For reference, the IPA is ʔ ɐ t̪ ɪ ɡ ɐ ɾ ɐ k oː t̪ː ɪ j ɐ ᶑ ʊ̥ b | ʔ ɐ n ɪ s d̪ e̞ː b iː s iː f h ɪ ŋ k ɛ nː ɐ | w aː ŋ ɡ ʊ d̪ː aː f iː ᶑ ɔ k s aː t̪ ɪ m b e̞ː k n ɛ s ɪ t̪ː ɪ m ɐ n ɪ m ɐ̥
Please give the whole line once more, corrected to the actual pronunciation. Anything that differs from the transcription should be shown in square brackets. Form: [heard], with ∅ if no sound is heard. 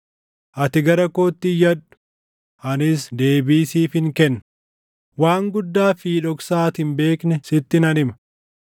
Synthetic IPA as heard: ʔ ɐ t̪ ɪ ɡ ɐ ɾ ɐ k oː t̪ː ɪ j ɐ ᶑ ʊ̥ [∅] | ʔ ɐ n ɪ s d̪ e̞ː b iː s iː f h ɪ ŋ k ɛ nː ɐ | w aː ŋ ɡ ʊ d̪ː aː f iː ᶑ ɔ k s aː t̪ ɪ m b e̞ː k n ɛ s ɪ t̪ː ɪ [n] ɐ n ɪ m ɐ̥